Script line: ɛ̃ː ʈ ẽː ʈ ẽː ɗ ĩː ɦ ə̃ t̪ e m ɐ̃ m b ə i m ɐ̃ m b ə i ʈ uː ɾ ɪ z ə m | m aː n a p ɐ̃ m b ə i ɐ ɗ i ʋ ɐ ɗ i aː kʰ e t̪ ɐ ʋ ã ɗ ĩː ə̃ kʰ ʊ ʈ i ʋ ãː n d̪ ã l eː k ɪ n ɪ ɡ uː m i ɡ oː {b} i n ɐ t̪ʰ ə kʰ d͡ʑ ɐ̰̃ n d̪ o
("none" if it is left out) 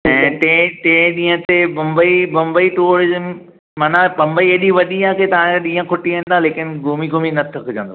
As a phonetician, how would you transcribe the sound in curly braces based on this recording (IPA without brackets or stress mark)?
m